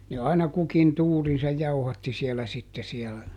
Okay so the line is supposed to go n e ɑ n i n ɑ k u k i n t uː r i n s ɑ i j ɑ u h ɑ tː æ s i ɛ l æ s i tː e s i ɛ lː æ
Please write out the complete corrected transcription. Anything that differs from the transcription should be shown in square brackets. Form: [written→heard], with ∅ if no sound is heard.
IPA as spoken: n e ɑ [n→∅] i n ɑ k u k i n t uː r i n s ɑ [i→j] j ɑ u h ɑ tː [æ→i] s i ɛ l æ s i tː e s i ɛ [lː→l] æ